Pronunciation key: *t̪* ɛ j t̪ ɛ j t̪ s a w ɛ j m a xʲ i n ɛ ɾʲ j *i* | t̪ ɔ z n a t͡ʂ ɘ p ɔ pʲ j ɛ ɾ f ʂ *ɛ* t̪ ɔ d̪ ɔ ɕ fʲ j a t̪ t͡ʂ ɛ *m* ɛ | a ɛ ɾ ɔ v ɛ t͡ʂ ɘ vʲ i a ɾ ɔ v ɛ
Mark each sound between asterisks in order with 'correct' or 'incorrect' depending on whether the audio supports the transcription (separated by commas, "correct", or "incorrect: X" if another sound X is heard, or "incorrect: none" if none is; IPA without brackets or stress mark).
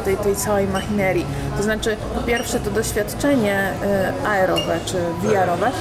correct, correct, correct, incorrect: ɲ